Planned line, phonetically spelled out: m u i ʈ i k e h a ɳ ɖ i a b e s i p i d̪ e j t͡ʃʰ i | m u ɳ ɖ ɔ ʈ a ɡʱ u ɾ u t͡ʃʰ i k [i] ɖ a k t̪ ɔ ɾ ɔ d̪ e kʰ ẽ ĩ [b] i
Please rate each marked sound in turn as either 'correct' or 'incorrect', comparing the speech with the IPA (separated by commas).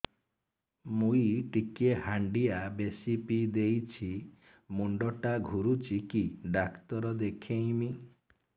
correct, incorrect